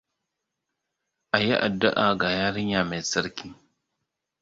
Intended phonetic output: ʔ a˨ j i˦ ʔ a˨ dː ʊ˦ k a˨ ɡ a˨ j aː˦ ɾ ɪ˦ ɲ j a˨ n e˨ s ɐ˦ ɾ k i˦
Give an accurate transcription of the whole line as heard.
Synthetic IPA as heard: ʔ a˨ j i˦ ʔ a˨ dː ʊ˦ ʔ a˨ ɡ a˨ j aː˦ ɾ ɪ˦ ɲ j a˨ m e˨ s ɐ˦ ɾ k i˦